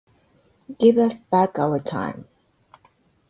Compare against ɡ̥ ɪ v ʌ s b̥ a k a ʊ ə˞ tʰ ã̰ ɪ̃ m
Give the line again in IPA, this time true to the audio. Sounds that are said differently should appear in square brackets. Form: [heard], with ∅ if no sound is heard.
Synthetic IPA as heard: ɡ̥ ɪ v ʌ s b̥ [æ] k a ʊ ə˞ tʰ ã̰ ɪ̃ m